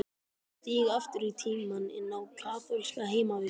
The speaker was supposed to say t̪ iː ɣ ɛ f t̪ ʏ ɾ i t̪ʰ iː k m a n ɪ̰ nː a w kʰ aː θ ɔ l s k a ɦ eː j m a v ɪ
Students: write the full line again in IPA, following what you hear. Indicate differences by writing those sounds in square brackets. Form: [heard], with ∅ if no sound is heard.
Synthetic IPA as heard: t̪ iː ɣ [a] f t̪ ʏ ɾ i t̪ʰ iː [∅] m a n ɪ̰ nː a w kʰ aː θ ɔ l s k a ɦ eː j m a v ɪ